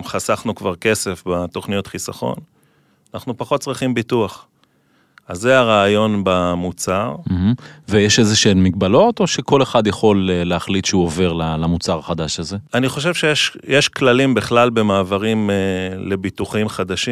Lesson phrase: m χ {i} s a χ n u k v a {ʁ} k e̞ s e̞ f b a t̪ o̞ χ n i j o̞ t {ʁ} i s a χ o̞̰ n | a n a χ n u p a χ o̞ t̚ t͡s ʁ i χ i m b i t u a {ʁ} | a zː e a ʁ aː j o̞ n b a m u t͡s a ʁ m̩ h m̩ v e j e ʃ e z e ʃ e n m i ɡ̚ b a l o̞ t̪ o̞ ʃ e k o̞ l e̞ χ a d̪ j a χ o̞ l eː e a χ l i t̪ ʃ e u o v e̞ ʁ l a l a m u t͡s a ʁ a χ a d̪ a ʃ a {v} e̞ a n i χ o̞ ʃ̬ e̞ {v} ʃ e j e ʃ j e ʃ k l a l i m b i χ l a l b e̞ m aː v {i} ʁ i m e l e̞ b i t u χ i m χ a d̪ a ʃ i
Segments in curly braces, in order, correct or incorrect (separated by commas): incorrect, correct, incorrect, incorrect, incorrect, correct, incorrect